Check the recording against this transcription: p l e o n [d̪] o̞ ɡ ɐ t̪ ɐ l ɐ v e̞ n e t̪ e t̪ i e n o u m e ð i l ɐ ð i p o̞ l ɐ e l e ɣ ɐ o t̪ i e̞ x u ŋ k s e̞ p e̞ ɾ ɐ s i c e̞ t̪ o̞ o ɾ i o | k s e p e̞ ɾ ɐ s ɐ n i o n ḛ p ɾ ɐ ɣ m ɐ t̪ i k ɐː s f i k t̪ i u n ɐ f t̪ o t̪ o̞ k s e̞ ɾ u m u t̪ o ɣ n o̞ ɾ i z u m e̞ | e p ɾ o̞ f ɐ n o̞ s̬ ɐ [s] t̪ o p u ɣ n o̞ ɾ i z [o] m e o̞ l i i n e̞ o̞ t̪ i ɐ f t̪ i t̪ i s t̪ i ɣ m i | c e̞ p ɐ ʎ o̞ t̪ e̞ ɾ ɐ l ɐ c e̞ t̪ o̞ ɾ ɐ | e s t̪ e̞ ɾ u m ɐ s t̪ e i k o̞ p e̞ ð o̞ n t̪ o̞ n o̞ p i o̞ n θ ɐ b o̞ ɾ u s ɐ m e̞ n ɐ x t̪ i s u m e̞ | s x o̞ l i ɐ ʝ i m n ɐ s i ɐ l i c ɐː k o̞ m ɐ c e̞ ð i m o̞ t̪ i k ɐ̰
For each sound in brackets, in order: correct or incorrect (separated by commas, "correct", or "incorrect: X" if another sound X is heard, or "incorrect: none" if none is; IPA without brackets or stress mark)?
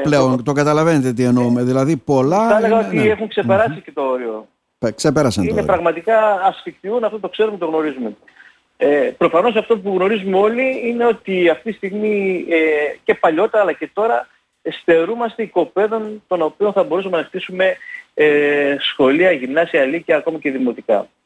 incorrect: t̪, incorrect: f, incorrect: u